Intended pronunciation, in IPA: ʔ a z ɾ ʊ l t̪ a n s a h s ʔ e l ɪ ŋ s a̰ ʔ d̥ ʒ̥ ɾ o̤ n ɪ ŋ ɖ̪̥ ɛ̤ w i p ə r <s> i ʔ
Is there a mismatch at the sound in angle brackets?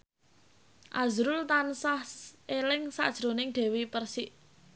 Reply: no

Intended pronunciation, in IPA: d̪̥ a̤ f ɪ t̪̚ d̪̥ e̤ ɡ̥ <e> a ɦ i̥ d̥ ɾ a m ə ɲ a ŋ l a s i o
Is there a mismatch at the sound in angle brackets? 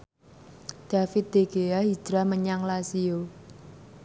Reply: no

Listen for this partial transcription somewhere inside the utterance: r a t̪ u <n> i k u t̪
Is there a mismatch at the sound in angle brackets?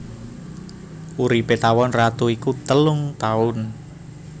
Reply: yes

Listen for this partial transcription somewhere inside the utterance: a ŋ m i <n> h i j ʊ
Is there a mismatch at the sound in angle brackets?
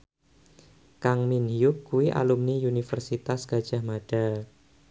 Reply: no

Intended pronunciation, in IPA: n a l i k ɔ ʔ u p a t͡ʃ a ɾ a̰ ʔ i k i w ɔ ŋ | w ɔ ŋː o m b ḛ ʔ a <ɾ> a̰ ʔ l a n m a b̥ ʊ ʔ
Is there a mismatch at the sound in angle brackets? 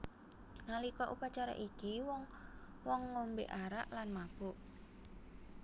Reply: no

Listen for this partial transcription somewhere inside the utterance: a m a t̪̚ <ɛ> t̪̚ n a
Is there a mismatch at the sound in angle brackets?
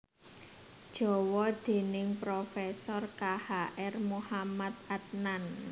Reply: yes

